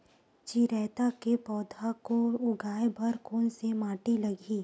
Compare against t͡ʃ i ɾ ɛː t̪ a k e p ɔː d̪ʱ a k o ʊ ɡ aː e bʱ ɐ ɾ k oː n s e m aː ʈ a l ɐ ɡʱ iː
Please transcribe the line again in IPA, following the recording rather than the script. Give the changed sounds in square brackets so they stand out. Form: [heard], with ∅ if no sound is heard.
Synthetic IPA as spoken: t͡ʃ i ɾ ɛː t̪ a k e p ɔː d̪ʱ a k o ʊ ɡ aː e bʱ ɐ ɾ k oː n s e m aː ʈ [i] l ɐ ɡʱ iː